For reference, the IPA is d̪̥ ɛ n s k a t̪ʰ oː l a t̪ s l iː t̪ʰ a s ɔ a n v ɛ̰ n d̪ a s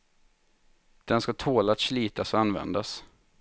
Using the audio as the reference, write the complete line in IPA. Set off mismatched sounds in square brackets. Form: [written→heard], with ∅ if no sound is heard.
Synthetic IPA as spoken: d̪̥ ɛ n s k a t̪ʰ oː l a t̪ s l iː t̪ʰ a s ɔ a n v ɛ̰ n d̪ a s